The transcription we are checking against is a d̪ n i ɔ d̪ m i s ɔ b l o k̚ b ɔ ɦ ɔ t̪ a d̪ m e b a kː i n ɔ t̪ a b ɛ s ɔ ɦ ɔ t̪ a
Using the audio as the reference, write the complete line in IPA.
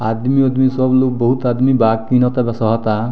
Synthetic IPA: a d̪ m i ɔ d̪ m i s ɔ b l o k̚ b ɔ ɦ u t̪ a d̪ m i b a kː i n ɔ t̪ a b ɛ s ɔ ɦ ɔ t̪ a